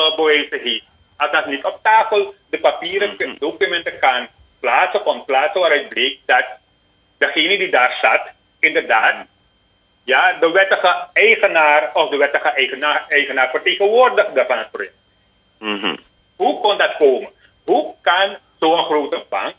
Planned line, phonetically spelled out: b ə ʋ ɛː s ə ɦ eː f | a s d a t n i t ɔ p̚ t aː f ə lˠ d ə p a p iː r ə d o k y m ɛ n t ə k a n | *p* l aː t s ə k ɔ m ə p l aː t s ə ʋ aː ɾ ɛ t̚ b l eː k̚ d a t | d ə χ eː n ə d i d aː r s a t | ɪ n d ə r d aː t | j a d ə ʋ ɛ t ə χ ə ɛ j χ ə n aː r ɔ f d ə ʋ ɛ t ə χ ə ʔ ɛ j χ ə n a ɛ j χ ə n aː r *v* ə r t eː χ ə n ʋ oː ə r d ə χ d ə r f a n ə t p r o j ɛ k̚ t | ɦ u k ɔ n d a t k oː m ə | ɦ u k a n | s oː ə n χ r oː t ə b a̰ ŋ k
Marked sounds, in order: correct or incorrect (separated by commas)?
correct, incorrect